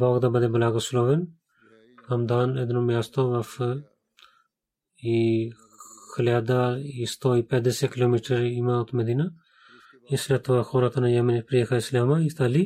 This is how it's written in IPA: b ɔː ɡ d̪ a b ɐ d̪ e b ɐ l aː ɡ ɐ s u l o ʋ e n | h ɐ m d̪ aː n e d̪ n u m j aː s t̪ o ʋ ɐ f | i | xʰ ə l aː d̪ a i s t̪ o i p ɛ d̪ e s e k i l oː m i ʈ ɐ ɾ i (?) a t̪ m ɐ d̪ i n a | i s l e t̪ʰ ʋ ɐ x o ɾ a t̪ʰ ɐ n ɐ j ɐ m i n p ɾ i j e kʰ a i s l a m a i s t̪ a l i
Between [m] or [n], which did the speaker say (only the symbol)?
m